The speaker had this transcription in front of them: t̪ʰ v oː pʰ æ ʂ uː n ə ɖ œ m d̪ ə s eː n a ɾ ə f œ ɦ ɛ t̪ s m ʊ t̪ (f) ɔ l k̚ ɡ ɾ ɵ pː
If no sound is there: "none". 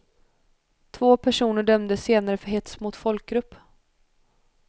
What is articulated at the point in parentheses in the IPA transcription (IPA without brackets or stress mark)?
f